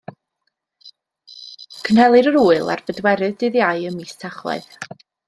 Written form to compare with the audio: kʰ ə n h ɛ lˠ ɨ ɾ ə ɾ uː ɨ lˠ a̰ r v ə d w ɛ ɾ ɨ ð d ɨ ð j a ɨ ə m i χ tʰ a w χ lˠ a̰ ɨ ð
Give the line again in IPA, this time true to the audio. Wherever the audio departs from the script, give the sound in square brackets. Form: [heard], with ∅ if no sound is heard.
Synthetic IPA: kʰ ə n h ɛ lˠ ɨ ɾ ə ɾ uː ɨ lˠ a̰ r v ə d w ɛ ɾ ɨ ð d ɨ ð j a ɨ ə m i [s] tʰ a [∅] χ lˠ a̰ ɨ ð